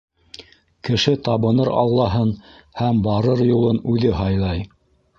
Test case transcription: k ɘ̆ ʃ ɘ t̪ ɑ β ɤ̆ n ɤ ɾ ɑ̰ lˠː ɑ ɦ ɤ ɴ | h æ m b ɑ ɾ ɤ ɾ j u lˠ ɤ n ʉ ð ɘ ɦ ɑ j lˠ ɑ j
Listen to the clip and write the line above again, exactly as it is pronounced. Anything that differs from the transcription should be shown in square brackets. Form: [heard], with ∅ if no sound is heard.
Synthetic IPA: k ɘ̆ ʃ ɘ t̪ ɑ β ɤ̆ n ɤ ɾ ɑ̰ lˠː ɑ ɦ ɤ [n] | h æ m b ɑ ɾ ɤ ɾ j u lˠ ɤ n ʉ ð ɘ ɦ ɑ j lˠ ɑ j